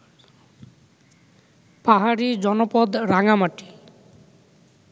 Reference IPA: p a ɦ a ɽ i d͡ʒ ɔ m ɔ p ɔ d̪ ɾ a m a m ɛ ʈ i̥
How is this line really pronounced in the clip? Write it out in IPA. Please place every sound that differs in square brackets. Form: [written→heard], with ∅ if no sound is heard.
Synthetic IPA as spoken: p a ɦ a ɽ i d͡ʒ ɔ [m→n] ɔ p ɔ d̪ ɾ a [m→ŋ] a m [ɛ→a] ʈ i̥